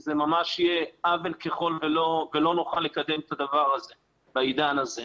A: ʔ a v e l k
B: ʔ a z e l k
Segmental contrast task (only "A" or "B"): A